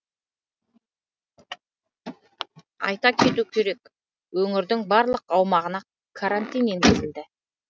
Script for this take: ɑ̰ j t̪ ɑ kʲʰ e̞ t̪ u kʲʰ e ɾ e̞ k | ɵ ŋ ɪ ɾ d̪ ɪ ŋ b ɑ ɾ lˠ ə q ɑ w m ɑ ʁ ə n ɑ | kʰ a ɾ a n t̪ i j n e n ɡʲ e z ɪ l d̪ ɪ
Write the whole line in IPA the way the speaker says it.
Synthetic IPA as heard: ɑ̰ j t̪ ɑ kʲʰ e̞ t̪ u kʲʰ e ɾ e̞ k | ɵ ŋ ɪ ɾ d̪ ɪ ŋ b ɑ ɾ lˠ ə q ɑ w m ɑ ʁ ə n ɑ | kʰ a ɾ a n t̪ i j n e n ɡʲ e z ɪ l d̪ ɪ